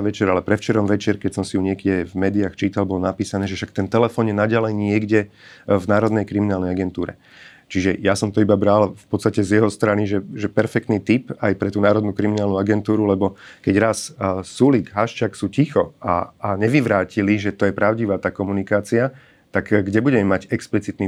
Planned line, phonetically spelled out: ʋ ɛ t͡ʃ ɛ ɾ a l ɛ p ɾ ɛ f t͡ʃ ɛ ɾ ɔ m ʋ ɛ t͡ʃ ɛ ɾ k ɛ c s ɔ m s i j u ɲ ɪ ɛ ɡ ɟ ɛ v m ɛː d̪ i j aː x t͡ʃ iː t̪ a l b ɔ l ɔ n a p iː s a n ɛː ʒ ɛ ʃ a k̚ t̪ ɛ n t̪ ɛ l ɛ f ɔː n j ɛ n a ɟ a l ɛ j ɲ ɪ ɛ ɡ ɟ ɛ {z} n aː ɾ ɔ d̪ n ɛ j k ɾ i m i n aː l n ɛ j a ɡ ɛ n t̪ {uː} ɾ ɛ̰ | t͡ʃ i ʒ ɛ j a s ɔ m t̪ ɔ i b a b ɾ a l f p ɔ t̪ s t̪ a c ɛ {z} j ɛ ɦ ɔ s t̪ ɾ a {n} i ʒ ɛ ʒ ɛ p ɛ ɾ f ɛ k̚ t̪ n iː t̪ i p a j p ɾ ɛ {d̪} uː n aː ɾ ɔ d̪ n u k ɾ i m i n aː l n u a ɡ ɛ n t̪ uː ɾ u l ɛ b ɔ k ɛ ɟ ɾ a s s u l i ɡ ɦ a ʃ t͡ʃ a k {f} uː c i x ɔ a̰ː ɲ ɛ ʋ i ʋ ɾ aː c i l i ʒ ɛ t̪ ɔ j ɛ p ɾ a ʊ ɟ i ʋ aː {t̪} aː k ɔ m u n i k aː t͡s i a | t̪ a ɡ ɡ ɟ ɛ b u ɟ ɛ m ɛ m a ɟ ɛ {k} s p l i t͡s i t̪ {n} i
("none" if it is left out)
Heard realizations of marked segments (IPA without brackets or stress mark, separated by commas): v, uː, z, n, t̪, s, t̪, k, n